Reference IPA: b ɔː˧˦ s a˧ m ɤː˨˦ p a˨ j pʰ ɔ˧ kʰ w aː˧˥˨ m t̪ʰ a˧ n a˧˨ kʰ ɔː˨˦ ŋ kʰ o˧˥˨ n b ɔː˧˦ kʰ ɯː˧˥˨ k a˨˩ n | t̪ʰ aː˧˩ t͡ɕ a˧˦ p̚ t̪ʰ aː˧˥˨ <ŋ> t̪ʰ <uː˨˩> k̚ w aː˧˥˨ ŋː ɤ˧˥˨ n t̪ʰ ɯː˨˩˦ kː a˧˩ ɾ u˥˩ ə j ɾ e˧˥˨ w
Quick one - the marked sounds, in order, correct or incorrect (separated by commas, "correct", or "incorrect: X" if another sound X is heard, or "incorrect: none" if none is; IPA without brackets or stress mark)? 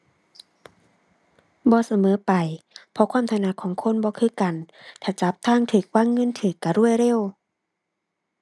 correct, incorrect: ɯː˨˩